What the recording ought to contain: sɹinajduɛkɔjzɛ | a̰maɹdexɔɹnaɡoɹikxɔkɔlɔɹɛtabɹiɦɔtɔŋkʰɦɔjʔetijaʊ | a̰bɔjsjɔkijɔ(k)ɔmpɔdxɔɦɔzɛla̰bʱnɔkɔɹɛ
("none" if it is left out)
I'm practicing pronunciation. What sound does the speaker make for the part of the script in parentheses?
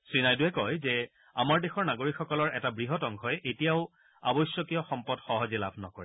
x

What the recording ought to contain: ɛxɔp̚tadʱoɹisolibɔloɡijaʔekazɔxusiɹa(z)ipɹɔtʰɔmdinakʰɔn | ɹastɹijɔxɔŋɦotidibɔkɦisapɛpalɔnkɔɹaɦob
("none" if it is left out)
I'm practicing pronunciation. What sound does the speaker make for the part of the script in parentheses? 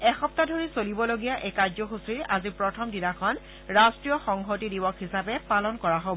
z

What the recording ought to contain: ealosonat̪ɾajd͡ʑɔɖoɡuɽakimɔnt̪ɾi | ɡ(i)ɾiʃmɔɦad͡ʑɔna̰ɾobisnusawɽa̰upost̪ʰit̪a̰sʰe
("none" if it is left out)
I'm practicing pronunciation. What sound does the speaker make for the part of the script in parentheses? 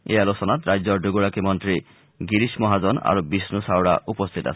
i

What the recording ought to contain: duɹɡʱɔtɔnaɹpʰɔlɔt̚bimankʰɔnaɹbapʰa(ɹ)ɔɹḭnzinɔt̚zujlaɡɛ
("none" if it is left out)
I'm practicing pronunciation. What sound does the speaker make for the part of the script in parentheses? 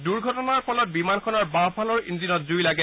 l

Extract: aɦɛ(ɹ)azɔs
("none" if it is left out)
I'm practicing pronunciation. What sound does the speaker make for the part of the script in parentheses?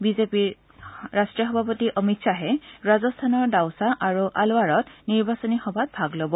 ɹ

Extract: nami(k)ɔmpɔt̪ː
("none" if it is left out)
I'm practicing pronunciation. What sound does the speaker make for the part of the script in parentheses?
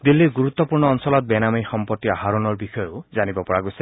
x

